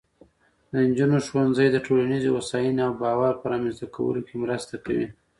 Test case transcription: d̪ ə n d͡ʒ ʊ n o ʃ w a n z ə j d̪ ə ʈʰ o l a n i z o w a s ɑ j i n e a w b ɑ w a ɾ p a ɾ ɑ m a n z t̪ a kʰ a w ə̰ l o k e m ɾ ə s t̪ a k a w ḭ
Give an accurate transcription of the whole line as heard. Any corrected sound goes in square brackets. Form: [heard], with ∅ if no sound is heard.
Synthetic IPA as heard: d̪ ə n d͡ʒ [u] n o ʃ w a n z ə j d̪ ə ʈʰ o l a n i z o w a s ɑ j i n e a w b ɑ w a ɾ p [ə] ɾ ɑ m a n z t̪ a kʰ a w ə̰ l o k e m ɾ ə s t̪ a k a w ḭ